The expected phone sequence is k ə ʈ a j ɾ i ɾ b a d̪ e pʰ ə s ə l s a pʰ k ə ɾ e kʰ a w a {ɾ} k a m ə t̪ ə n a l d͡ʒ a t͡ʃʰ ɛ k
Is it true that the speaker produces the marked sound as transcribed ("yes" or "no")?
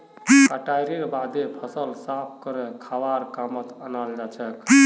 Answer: yes